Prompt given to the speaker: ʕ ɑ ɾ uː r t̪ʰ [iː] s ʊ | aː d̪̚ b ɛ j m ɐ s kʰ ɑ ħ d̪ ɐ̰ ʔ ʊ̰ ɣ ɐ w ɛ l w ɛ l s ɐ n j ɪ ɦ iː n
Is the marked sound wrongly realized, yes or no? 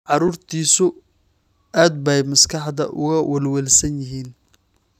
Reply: no